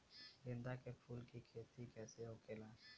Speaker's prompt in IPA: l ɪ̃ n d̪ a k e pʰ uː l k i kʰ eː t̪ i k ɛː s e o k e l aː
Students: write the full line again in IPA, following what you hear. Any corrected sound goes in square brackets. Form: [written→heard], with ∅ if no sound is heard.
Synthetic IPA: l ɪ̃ n d̪ a k e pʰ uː l k i kʰ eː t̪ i k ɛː s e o k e l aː

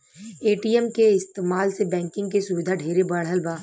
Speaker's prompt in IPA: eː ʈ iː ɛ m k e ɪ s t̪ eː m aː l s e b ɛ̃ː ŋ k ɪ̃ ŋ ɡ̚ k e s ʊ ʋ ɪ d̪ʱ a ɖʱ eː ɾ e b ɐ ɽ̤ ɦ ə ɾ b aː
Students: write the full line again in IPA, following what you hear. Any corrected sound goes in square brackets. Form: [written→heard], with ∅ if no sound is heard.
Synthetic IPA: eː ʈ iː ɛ m k e ɪ s t̪ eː m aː l s e b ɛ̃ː ŋ k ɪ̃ ŋ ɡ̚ k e s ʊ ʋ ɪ d̪ʱ a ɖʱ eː ɾ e b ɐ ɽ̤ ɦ ə [ɾ→l] b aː

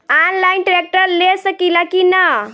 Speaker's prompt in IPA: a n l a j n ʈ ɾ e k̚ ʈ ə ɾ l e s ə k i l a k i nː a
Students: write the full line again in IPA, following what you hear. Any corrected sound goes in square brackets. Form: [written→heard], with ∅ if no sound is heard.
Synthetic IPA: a n l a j n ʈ ɾ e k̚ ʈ ə ɾ l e s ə k i l a k i [nː→n] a

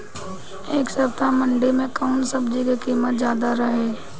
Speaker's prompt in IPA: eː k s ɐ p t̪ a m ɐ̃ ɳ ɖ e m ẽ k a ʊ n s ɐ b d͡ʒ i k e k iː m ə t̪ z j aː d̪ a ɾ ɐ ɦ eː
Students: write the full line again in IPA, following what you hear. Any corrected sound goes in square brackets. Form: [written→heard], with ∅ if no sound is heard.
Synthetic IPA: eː k s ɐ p t̪ a m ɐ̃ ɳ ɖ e m ẽ k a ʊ n s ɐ b d͡ʒ i k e k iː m ə t̪ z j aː d̪ a ɾ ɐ ɦ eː

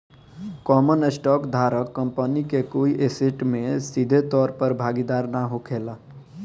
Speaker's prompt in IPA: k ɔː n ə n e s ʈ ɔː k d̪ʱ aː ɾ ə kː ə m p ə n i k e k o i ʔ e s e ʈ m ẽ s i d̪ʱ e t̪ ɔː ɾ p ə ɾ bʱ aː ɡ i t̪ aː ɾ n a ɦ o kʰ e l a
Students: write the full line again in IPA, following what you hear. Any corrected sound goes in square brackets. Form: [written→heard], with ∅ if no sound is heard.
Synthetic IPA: k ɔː [n→m] ə n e s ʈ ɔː k d̪ʱ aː ɾ ə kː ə m p ə n i k e k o i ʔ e s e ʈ m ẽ s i d̪ʱ e t̪ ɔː ɾ p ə ɾ bʱ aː ɡ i [t̪→d̪] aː ɾ n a ɦ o kʰ e l a

